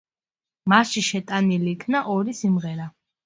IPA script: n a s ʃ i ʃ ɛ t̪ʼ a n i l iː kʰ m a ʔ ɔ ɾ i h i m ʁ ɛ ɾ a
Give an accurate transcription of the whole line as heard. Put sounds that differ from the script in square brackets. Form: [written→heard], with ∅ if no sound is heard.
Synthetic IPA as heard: [n→m] a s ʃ i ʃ ɛ t̪ʼ a n i l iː kʰ [m→n] a ʔ ɔ ɾ i [h→s] i m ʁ ɛ ɾ a